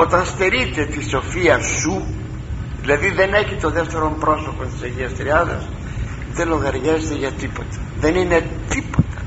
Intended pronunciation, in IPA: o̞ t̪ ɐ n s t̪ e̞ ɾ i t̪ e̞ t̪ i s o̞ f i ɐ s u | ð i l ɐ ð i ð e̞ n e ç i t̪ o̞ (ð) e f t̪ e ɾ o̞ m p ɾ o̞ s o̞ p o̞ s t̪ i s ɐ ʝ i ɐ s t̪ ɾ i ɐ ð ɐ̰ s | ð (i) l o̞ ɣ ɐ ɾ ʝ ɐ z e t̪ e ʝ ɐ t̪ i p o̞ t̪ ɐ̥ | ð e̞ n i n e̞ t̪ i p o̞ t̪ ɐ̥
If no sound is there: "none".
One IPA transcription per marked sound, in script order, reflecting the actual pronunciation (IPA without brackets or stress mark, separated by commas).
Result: ð, e